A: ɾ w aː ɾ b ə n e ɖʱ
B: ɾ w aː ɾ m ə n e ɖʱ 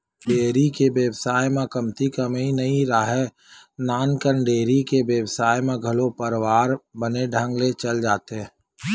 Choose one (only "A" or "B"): A